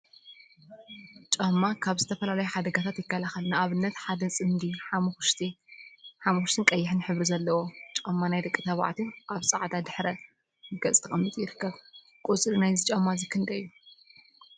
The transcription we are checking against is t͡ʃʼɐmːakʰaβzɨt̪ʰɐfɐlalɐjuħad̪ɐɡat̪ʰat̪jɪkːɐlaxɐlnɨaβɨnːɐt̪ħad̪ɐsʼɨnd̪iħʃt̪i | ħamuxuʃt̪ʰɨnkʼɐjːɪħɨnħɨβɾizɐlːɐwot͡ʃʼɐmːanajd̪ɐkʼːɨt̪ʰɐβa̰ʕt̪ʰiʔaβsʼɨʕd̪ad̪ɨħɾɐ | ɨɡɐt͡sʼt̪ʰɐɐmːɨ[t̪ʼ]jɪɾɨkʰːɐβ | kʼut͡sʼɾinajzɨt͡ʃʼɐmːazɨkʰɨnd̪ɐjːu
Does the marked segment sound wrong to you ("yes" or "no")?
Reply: no